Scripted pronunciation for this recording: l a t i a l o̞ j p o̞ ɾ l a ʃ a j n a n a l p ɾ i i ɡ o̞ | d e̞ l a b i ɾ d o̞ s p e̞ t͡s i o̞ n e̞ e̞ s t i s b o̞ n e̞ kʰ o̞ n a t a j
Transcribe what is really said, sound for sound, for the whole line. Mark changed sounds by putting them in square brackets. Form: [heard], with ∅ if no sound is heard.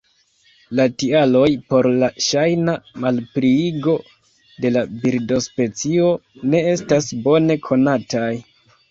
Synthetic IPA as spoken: l a t i a l o̞ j p o̞ ɾ l a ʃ a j n a [m] a l p ɾ i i ɡ o̞ | d e̞ l a b i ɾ d o̞ s p e̞ t͡s i o̞ n e̞ e̞ s t [a] s b o̞ n e̞ kʰ o̞ n a t a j